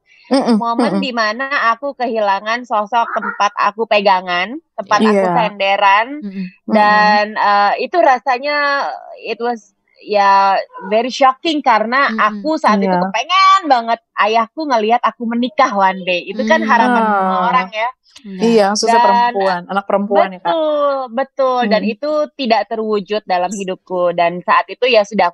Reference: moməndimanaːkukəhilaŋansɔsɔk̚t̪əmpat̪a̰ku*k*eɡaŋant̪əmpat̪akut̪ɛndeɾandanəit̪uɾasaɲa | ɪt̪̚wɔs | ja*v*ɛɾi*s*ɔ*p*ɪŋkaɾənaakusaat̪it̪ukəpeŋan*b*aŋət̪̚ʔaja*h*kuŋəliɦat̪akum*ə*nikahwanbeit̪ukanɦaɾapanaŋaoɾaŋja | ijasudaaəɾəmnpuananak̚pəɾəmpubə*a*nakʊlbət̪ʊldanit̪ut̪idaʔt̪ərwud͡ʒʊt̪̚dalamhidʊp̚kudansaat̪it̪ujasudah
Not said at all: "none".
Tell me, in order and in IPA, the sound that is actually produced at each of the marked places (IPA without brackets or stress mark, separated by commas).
p, v, ʃ, k, b, h, ə, a